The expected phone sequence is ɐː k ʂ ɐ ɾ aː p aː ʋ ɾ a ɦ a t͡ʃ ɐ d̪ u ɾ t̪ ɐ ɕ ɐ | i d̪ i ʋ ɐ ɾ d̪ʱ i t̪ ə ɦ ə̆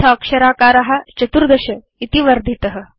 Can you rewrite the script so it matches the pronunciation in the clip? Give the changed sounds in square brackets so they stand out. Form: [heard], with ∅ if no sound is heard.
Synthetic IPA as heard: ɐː k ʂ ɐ ɾ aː [k] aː [∅] ɾ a ɦ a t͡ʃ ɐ [t̪] u ɾ [d̪] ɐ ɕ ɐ | i [t̪] i ʋ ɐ ɾ d̪ʱ i t̪ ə ɦ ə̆

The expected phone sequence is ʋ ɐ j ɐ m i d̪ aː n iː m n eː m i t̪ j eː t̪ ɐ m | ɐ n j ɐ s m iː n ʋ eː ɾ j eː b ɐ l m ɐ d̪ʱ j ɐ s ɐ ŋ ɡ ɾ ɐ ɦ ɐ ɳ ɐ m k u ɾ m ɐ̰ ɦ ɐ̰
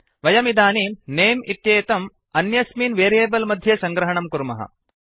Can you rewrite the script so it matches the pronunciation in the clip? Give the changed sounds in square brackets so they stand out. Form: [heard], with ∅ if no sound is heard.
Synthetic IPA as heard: ʋ ɐ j ɐ m i d̪ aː n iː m n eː m i t̪ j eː t̪ ɐ m | ɐ n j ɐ s m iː n ʋ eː ɾ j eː b ɐ l m ɐ d̪ʱ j ɐ s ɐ ŋ ɡ ɾ ɐ ɦ ɐ ɳ ɐ m k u ɾ m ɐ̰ ɦ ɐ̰

